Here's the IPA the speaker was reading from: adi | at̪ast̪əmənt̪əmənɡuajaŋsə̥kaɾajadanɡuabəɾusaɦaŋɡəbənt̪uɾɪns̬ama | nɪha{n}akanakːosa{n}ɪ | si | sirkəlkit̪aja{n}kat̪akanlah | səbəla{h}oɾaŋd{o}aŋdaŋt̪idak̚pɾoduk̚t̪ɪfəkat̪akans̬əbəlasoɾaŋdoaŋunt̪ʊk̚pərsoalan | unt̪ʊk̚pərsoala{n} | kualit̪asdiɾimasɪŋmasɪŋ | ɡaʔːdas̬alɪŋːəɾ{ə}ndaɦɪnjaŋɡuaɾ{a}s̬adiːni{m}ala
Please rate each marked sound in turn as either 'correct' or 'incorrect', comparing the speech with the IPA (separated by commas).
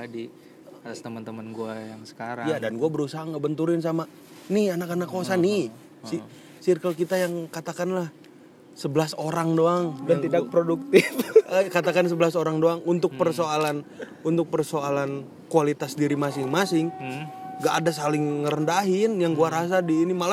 correct, correct, incorrect, incorrect, correct, correct, correct, correct, correct